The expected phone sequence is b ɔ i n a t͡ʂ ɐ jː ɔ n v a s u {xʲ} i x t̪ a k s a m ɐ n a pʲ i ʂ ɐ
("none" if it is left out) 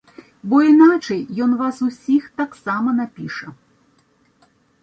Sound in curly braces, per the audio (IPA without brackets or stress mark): sʲ